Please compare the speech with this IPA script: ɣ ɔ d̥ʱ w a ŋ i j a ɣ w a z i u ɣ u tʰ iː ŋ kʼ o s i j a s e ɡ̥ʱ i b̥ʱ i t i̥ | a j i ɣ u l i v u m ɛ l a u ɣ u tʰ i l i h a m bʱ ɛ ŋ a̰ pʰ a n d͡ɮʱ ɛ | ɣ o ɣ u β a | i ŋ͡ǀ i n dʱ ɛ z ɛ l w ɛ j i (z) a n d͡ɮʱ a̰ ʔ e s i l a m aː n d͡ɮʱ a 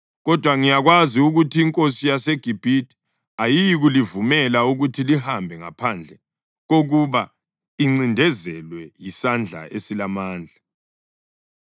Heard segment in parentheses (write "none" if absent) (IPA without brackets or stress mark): s